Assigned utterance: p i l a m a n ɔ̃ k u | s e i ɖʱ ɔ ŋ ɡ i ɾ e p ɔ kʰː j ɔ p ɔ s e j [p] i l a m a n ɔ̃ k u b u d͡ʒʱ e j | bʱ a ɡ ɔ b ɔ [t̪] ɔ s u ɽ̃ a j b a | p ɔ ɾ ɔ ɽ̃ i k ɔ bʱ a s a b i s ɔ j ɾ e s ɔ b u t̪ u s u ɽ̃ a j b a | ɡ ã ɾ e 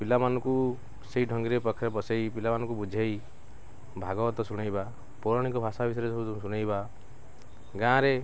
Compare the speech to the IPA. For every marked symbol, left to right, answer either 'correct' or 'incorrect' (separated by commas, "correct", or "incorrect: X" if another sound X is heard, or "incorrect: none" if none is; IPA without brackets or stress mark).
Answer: correct, correct